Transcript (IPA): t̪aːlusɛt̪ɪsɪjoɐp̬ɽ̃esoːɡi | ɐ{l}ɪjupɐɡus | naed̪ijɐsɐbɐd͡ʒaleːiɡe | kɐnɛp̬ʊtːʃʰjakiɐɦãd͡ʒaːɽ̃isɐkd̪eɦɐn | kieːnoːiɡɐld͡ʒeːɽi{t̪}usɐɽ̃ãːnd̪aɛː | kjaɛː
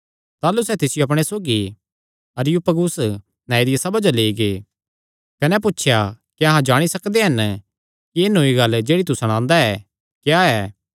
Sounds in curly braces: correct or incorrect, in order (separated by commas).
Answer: incorrect, correct